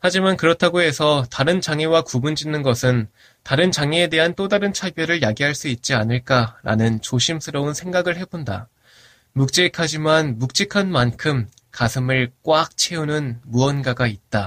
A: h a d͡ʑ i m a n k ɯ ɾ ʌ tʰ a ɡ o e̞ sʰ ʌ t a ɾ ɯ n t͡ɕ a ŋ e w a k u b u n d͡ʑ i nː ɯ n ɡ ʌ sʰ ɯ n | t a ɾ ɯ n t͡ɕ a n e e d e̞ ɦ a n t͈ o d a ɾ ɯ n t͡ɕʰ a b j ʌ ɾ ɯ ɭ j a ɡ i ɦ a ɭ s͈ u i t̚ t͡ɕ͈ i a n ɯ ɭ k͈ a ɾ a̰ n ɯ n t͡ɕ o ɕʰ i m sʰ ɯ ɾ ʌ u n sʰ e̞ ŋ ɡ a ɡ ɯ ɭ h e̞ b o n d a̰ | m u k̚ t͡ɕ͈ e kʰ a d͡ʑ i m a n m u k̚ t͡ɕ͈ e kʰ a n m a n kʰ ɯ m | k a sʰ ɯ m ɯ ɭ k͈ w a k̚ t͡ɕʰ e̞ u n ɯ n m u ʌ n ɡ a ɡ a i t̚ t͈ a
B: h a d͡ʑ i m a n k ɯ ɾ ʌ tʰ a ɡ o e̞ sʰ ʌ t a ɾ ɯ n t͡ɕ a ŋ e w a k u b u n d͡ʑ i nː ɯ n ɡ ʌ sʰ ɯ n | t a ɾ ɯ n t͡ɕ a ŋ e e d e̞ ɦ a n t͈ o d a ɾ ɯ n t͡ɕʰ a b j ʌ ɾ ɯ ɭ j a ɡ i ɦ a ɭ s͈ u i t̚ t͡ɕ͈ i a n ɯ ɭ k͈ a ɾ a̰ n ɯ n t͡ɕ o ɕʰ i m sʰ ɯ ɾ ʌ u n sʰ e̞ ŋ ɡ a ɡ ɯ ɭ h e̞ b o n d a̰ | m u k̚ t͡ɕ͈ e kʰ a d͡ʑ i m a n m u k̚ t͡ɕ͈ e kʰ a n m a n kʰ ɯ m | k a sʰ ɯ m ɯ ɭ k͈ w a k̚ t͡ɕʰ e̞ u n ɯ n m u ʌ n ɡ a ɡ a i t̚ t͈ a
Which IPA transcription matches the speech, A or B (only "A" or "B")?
B